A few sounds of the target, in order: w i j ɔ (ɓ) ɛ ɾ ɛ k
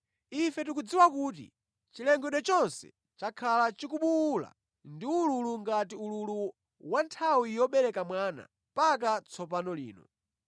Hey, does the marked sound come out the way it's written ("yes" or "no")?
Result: yes